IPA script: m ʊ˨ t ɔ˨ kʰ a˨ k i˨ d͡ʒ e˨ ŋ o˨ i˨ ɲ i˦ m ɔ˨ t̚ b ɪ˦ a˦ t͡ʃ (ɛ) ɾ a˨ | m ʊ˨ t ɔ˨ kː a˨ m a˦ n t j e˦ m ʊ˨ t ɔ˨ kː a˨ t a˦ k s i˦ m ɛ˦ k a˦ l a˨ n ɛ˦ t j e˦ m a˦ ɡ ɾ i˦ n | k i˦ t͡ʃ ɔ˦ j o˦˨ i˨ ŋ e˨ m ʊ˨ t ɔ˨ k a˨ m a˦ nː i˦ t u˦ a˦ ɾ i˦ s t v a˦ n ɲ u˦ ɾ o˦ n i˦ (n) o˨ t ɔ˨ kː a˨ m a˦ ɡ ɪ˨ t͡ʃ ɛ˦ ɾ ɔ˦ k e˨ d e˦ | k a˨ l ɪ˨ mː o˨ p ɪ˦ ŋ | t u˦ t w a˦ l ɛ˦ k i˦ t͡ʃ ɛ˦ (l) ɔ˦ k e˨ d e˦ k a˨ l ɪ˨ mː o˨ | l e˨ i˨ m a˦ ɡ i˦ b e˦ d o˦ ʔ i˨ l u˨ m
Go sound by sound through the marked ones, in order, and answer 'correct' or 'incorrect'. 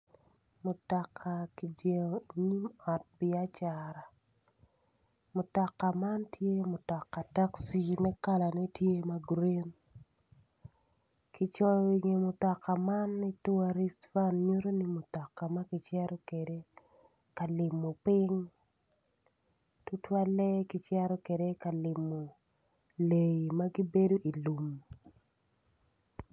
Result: incorrect, incorrect, incorrect

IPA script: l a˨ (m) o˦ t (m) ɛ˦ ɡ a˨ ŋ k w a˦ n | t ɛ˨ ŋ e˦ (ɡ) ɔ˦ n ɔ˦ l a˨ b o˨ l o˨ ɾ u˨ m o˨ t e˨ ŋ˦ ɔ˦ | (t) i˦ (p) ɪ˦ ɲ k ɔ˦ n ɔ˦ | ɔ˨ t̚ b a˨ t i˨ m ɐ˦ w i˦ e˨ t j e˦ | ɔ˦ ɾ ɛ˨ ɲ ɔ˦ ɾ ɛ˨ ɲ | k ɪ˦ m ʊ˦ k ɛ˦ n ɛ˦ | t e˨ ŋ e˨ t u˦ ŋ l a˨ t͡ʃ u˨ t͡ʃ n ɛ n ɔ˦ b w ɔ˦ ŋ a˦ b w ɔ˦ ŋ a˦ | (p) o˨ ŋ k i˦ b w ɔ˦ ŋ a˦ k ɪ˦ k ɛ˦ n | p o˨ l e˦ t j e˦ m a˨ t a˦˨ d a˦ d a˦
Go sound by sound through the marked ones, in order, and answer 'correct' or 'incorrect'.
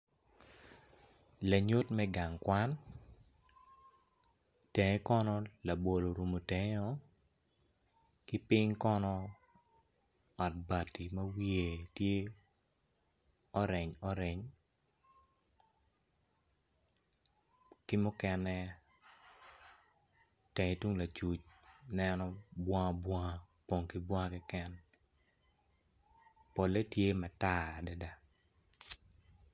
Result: incorrect, correct, incorrect, incorrect, correct, correct

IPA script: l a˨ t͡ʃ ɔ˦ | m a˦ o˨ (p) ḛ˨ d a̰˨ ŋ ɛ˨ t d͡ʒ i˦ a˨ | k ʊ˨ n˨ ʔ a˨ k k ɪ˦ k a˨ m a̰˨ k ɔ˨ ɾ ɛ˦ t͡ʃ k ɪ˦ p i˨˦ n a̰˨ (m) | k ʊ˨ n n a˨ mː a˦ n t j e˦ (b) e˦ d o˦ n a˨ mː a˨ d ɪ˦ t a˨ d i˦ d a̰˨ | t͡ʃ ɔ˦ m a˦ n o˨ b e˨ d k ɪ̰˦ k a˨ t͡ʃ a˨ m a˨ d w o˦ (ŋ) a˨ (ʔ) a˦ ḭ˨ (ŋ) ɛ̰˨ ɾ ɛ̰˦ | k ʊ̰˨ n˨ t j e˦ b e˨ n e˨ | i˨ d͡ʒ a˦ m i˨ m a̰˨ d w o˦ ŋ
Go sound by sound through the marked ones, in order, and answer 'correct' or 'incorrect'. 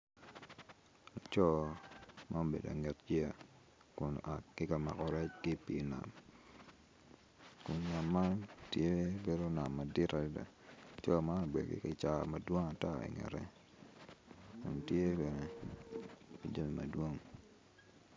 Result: incorrect, correct, correct, correct, incorrect, correct

